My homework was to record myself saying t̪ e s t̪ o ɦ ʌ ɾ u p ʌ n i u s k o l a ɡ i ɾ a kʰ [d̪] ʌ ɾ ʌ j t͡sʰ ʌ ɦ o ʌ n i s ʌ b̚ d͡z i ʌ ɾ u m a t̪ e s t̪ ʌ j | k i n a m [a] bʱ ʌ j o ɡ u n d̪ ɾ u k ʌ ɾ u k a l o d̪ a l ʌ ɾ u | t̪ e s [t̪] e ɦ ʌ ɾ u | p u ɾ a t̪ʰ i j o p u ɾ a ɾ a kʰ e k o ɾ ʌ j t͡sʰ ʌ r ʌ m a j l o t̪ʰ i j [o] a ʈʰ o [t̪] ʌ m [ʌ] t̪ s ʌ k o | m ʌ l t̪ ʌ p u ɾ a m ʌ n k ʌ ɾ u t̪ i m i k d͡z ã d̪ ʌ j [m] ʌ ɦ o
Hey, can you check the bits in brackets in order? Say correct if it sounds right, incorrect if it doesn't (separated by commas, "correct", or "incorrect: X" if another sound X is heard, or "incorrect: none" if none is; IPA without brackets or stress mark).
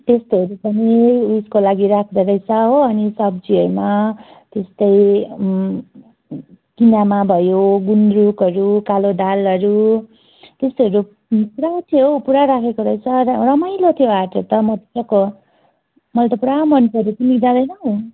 correct, correct, correct, correct, correct, correct, incorrect: n